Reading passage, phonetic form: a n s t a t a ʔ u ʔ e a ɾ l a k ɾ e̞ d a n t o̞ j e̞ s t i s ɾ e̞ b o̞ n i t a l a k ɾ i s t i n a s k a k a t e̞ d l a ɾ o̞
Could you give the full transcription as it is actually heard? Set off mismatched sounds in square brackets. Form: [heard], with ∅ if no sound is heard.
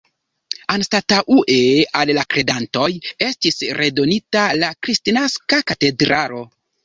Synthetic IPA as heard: a n s t a t a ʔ u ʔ e a [l] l a k ɾ e̞ d a n t o̞ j e̞ s t i s ɾ e̞ [d] o̞ n i t a l a k ɾ i s t i n a s k a k a t e̞ d [ɾ] a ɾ o̞